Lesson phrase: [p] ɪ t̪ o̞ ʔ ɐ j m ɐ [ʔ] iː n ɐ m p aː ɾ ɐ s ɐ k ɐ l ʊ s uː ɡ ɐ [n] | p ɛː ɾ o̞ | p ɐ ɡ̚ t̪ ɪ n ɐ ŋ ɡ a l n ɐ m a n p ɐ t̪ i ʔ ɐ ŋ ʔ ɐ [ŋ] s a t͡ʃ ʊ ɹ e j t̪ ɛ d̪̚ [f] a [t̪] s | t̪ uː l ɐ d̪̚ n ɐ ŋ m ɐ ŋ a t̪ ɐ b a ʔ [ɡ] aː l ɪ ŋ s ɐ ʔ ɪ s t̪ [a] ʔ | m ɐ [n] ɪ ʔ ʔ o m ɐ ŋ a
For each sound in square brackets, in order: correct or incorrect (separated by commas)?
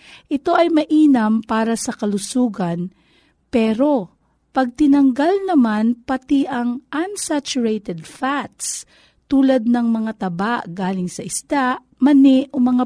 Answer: incorrect, correct, correct, incorrect, correct, correct, correct, correct, correct